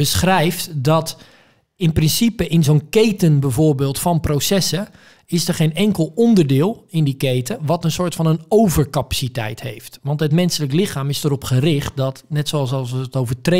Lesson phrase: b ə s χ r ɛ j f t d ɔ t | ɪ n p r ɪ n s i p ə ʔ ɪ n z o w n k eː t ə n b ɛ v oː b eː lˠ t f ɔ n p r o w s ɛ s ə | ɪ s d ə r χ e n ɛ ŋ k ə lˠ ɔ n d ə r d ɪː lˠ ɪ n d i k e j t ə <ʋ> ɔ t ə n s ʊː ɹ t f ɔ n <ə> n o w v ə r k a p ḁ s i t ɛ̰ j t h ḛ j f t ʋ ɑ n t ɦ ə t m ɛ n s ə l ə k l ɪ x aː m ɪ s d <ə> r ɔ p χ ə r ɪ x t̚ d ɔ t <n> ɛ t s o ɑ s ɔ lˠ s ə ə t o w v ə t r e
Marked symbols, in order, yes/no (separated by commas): yes, yes, yes, yes